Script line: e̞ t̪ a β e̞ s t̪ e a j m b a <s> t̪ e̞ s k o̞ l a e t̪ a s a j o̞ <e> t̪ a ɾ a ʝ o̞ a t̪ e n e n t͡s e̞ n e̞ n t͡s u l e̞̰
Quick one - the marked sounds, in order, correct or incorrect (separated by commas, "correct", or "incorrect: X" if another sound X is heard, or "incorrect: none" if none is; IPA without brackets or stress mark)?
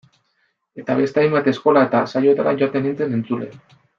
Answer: incorrect: none, correct